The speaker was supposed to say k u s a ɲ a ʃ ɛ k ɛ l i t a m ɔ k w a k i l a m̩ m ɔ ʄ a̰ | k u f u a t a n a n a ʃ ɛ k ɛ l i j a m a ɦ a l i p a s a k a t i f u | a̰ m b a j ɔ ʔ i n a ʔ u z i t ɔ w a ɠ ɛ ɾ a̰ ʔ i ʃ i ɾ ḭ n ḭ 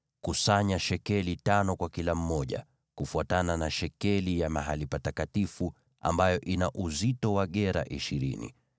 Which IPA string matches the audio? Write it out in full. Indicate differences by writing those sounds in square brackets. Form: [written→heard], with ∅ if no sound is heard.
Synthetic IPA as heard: k u s a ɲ a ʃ ɛ k ɛ l i t a [m→n] ɔ k w a k i l a m̩ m ɔ ʄ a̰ | k u f u a t a n a n a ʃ ɛ k ɛ l i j a m a ɦ a l i p a [s→t] a k a t i f u | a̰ m b a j ɔ ʔ i n a ʔ u z i t ɔ w a ɠ ɛ ɾ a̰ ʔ i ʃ i ɾ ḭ n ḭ